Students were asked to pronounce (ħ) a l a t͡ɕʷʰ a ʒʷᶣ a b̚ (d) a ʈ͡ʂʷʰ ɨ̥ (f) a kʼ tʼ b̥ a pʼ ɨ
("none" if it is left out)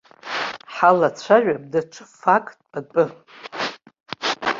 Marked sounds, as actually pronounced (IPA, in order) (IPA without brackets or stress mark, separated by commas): ħ, d, f